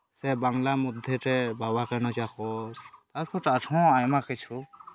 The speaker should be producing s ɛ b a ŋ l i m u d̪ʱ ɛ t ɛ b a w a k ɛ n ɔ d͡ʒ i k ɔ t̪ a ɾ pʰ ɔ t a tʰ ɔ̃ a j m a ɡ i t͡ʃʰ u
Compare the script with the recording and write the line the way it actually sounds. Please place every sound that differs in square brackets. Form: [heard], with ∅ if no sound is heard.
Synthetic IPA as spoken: s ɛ b a ŋ l [a] m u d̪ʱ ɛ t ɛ b a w a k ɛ n ɔ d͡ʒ [a] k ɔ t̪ a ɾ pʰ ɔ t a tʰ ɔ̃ a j m a [k] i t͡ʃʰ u